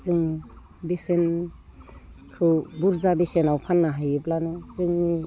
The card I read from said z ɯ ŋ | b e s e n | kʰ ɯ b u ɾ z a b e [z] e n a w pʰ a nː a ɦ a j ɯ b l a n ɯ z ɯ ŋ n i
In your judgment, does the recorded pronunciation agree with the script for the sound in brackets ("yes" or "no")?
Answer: no